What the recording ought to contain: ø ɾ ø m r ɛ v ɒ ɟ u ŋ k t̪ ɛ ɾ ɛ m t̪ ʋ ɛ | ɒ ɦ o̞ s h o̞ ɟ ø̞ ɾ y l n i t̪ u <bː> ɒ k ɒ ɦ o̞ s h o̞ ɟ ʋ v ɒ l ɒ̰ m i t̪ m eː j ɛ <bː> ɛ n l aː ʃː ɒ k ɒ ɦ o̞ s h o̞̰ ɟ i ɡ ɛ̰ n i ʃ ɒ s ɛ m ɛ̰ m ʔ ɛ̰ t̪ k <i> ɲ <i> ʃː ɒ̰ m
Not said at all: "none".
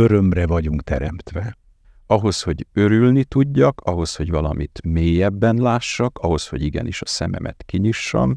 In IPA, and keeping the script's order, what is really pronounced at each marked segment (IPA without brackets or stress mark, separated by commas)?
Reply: ɟː, bː, i, i